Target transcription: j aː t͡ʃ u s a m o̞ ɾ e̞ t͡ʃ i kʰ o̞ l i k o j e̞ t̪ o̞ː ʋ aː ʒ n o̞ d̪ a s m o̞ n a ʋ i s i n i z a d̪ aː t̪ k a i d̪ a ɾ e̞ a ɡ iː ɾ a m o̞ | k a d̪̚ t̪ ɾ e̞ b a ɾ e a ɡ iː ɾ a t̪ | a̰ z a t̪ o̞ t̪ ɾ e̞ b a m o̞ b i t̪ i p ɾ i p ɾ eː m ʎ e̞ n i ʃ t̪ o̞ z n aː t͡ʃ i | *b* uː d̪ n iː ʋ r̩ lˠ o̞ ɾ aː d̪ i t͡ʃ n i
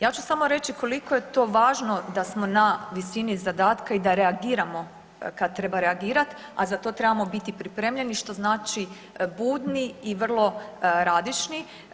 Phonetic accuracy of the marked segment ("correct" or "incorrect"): correct